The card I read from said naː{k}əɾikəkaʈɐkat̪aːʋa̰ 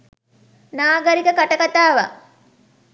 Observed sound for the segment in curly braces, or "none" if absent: ɡ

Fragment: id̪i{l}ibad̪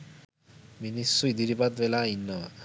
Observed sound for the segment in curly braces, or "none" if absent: ɾ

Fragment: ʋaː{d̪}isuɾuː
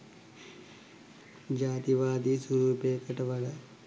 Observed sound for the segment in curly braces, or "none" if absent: d̪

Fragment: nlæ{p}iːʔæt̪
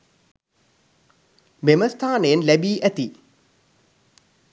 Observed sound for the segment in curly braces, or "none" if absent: b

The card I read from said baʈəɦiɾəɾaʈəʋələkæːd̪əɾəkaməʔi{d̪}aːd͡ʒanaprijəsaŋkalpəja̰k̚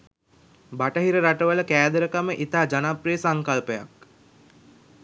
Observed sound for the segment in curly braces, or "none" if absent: t̪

